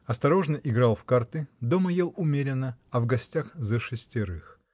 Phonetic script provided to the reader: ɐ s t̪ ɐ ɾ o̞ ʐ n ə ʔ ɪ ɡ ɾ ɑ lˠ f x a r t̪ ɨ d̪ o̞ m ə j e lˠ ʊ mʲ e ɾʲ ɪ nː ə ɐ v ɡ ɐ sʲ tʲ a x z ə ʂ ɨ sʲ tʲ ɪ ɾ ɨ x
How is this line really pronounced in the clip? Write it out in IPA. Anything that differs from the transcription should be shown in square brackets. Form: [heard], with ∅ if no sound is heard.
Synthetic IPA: ɐ s t̪ ɐ ɾ o̞ ʐ n ə ʔ ɪ ɡ ɾ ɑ lˠ f [k] a r t̪ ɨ d̪ o̞ m ə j e lˠ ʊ mʲ e ɾʲ ɪ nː ə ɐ v ɡ ɐ sʲ tʲ a x z ə ʂ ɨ sʲ tʲ ɪ ɾ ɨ x

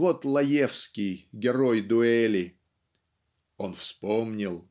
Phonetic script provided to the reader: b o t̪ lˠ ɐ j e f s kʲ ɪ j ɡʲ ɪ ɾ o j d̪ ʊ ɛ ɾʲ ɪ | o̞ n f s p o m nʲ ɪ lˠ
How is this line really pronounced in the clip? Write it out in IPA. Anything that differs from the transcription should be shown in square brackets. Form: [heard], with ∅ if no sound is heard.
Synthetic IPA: [v] o t̪ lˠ ɐ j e f s kʲ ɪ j ɡʲ ɪ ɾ o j d̪ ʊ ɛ [lʲ] ɪ | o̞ n f s p o m nʲ ɪ lˠ

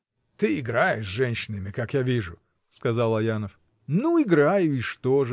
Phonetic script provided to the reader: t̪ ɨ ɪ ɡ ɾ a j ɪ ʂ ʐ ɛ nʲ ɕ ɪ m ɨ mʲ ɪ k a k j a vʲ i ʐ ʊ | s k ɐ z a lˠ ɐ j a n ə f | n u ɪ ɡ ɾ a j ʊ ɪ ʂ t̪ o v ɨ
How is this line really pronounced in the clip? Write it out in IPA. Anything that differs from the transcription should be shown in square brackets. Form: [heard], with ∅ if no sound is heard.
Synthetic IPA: t̪ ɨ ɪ ɡ ɾ a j ɪ ʂ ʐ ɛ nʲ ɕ ɪ [n] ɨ mʲ ɪ k a k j a vʲ i ʐ ʊ | s k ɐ z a lˠ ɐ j a n ə f | n u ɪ ɡ ɾ a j ʊ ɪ ʂ t̪ o [ʐ] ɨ

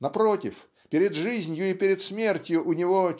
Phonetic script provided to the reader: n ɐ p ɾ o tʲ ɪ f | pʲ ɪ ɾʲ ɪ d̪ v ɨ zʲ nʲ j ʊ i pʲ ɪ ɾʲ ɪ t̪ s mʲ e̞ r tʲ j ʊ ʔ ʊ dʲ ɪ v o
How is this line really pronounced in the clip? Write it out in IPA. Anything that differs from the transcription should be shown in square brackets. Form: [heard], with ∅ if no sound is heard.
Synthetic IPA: n ɐ p ɾ o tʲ ɪ f | pʲ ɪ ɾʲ ɪ d̪ [ʐ] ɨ zʲ nʲ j ʊ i pʲ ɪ ɾʲ ɪ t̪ s mʲ e̞ r tʲ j ʊ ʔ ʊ [nʲ] ɪ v o

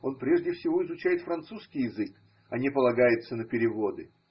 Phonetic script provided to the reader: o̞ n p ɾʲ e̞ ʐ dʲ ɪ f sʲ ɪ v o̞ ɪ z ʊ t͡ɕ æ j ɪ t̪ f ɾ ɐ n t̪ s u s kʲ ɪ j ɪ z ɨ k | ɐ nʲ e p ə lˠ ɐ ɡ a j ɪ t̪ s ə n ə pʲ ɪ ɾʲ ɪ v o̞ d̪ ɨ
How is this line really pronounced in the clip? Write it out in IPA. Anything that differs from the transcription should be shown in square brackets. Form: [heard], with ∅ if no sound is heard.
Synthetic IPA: o̞ n p ɾʲ e̞ ʐ dʲ ɪ f sʲ ɪ v o̞ ɪ z ʊ t͡ɕ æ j ɪ t̪ f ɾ ɐ n t̪ s u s kʲ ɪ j ɪ z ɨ k | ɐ nʲ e p ə lˠ ɐ ɡ a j ɪ t̪ s ə n ə pʲ ɪ ɾʲ ɪ v o̞ d̪ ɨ

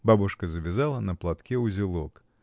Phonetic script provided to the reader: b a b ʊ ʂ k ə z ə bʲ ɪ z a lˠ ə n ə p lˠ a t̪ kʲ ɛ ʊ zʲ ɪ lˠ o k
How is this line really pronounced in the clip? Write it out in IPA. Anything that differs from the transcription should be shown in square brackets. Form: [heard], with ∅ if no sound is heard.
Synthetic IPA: b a b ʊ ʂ k ə z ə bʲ ɪ z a lˠ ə n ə p lˠ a t̪ kʲ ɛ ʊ zʲ ɪ lˠ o k

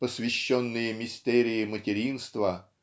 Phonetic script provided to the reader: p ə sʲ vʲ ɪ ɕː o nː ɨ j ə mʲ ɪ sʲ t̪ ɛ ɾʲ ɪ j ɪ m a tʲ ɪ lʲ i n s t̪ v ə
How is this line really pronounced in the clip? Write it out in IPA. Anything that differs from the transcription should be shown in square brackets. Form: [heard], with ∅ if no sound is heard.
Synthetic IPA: p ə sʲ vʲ ɪ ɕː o nː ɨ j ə mʲ ɪ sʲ t̪ ɛ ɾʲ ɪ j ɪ m [ə] tʲ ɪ [ɾʲ] i n s t̪ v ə

